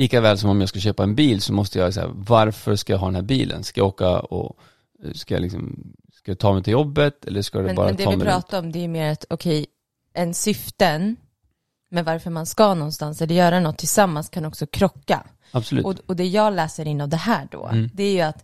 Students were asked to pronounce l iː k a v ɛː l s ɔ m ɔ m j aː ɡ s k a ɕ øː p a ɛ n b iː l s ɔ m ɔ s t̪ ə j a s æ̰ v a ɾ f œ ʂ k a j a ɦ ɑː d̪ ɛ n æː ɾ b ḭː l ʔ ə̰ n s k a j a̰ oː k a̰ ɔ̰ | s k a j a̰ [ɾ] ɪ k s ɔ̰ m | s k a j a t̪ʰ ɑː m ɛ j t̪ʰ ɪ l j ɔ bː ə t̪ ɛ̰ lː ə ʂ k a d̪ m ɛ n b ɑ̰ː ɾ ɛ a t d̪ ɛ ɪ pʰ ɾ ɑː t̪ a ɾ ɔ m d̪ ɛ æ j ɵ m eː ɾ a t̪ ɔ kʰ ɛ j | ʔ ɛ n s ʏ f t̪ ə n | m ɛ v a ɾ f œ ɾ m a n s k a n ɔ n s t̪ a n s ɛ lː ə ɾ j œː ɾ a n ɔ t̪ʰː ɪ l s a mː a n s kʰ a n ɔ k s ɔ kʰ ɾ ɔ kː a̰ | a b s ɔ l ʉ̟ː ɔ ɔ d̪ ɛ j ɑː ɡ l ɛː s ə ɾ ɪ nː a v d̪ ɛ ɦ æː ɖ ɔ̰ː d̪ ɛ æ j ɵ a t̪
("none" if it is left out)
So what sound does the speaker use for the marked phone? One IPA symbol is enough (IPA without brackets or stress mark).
l